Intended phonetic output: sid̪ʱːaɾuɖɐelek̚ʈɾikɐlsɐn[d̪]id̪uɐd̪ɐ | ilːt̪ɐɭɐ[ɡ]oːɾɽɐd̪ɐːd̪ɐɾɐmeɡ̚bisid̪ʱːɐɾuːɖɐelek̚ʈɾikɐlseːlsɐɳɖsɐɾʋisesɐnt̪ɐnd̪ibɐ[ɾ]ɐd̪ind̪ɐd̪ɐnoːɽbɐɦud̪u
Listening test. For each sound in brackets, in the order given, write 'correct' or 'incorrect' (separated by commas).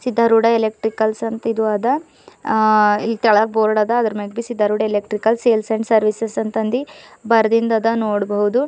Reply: incorrect, incorrect, correct